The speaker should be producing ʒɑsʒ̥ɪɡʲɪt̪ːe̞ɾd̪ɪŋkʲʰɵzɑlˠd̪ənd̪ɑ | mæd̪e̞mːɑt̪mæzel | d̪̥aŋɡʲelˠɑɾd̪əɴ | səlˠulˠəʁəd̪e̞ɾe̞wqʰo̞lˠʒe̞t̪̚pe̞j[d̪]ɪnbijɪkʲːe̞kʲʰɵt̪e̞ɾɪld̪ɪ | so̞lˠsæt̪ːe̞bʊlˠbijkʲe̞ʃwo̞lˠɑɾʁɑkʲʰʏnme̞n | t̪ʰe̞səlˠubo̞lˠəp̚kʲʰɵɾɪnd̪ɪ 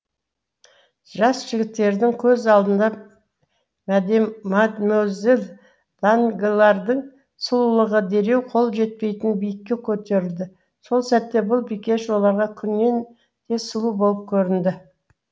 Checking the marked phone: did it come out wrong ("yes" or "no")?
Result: yes